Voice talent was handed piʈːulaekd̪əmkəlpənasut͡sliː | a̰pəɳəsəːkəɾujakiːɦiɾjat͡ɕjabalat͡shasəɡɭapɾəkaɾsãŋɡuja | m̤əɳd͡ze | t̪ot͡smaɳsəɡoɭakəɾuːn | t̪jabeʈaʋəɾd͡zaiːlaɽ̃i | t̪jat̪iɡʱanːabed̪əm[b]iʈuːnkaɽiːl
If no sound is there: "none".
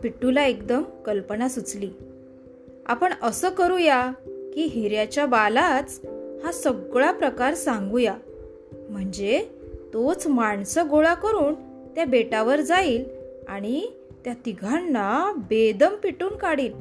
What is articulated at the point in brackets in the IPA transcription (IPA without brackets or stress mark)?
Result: p